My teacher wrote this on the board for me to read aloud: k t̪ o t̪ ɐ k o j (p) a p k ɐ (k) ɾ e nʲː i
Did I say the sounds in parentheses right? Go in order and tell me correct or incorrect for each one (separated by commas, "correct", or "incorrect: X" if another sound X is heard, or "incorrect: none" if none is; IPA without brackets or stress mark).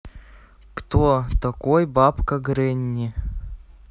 incorrect: b, incorrect: ɡ